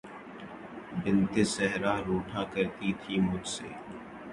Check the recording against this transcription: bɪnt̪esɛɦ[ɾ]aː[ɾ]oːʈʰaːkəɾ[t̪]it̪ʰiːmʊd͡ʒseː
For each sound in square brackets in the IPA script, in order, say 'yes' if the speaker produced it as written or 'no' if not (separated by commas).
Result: yes, yes, yes